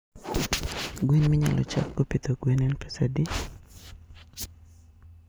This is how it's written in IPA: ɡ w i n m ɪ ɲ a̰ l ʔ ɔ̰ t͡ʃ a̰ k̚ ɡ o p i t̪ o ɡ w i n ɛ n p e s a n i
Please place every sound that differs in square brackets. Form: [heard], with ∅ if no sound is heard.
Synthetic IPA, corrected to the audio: ɡ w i n m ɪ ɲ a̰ l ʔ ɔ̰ t͡ʃ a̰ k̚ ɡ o p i t̪ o ɡ w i n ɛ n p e s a [d] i